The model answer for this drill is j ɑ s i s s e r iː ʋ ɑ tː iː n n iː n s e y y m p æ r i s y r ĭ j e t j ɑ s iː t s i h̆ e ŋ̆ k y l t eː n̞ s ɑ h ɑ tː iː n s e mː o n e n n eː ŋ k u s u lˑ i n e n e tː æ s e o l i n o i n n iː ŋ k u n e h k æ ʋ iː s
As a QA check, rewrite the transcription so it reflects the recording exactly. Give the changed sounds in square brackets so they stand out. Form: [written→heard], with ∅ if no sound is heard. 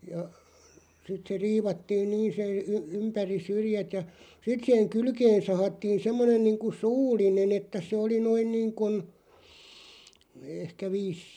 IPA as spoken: j ɑ s i [s→t] s e r iː ʋ ɑ tː iː n n iː n s e y y m p æ r i s y r ĭ j [e→æ] t j ɑ s [iː→i] t s i h̆ e ŋ̆ k y l [t→k] eː n̞ s ɑ h ɑ tː iː n s e mː o n e n n [eː→iː] ŋ k u s [u→uː] lˑ i n e n e tː æ s e o l i n o i n n iː ŋ k u n e h k æ ʋ iː s